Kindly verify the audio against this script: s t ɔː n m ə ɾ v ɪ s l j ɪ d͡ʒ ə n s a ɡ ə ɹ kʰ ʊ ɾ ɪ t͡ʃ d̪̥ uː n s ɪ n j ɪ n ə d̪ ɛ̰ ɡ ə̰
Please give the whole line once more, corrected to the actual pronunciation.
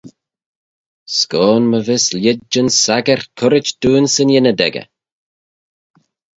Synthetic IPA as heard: s k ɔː n m ə v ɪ s l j ɪ d͡ʒ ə n s a ɡ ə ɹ kʰ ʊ ɾ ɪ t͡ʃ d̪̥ uː n s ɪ n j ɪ n ə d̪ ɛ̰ ɡ ə̰